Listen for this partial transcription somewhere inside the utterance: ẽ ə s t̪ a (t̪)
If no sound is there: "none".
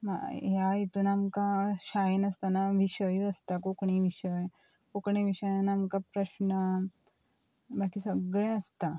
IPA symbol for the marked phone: none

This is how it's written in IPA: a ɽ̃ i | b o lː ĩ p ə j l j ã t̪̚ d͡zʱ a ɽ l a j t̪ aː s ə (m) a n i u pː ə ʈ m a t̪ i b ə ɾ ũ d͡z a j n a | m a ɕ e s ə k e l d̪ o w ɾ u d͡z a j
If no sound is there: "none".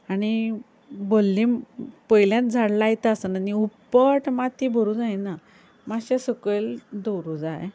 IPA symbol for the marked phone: n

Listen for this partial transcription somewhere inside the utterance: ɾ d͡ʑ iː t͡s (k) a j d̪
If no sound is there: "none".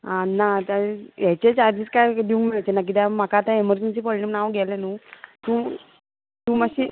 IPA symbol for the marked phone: k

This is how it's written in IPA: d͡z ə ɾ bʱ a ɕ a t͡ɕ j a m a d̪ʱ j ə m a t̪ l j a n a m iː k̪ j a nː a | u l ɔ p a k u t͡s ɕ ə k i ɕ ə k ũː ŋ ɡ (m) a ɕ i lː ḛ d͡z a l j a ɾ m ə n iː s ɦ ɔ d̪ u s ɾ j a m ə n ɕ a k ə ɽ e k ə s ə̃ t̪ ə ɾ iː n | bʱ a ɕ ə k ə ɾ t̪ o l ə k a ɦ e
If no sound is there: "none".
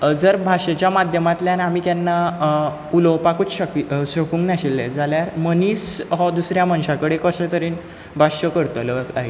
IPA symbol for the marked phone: n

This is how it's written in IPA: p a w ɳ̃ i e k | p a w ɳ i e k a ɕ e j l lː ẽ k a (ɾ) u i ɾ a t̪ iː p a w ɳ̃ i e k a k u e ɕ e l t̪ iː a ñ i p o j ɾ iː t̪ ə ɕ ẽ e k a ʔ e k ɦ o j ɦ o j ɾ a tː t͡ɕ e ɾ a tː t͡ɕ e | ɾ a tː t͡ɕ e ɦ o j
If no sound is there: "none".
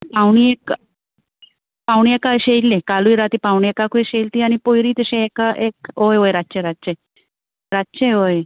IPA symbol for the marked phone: l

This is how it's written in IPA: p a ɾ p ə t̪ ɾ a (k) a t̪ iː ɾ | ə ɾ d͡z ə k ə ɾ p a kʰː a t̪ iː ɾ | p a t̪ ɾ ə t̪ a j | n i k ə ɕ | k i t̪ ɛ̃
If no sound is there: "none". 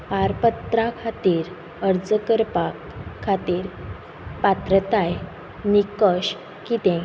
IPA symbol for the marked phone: kʰ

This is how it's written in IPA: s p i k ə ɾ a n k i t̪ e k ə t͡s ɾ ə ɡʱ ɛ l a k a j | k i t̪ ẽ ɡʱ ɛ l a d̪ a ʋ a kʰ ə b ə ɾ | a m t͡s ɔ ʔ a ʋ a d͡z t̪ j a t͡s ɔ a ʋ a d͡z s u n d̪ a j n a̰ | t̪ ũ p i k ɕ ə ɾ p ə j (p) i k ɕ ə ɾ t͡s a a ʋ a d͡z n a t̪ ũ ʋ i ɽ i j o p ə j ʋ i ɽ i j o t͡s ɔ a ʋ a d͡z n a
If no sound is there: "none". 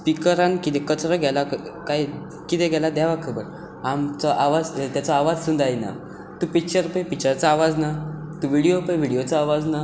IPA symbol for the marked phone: p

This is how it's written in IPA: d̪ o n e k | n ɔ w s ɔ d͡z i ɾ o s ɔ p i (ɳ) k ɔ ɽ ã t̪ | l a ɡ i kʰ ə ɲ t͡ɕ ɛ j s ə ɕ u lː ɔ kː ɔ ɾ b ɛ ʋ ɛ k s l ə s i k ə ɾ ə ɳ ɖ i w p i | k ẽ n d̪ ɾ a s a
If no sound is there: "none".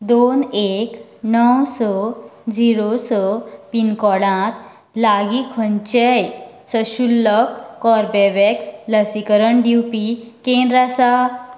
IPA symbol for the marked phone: n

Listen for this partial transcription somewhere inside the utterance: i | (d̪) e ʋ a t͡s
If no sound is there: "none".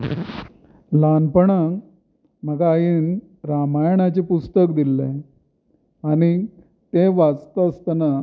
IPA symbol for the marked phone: t̪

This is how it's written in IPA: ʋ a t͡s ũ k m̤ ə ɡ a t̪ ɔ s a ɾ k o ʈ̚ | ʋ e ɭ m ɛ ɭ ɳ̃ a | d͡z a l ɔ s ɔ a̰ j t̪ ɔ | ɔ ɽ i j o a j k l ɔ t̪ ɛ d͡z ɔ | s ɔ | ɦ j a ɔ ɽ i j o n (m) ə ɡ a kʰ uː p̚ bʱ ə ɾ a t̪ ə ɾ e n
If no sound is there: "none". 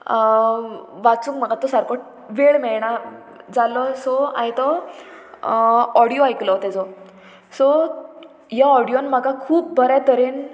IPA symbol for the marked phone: m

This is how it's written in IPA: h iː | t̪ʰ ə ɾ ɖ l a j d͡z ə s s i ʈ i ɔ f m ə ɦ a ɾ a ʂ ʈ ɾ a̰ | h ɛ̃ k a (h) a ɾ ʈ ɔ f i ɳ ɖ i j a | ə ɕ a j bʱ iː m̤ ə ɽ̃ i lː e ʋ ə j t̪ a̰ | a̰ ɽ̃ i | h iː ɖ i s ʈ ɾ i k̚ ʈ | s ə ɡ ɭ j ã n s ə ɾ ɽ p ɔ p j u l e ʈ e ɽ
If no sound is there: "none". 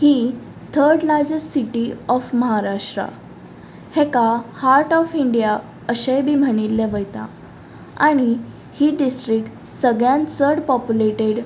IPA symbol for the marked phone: h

